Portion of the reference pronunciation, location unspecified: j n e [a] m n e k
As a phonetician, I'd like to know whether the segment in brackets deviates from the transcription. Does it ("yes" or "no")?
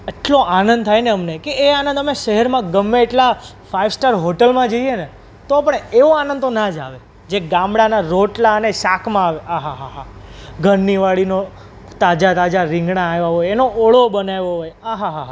yes